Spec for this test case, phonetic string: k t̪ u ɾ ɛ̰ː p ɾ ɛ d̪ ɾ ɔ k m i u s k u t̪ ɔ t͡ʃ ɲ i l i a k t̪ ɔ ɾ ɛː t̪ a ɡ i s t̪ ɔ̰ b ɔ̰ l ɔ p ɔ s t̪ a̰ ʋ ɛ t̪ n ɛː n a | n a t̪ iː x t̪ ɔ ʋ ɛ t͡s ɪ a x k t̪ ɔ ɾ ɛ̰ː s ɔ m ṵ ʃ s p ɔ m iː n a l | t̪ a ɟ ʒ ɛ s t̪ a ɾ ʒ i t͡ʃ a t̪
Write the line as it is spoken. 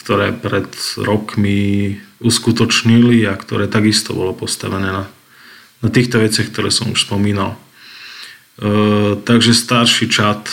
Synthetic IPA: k t̪ ɔ ɾ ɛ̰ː p ɾ ɛ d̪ ɾ ɔ k m i u s k u t̪ ɔ t͡ʃ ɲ i l i a k t̪ ɔ ɾ ɛː t̪ a ɡ i s t̪ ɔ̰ b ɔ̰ l ɔ p ɔ s t̪ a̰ ʋ ɛ n ɛː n a | n a t̪ iː x t̪ ɔ ʋ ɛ t͡s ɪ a x k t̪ ɔ ɾ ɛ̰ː s ɔ m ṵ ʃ s p ɔ m iː n a l | t̪ a ɡ ʒ ɛ s t̪ a ɾ ʃ i t͡ʃ a t̪